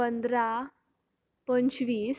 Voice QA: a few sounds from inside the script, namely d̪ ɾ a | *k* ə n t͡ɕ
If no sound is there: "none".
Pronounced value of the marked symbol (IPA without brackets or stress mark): p